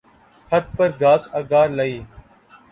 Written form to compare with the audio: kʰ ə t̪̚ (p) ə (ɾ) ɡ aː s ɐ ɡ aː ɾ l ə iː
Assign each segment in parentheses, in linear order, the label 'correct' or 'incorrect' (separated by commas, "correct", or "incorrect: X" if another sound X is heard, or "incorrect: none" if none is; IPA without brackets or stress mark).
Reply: correct, correct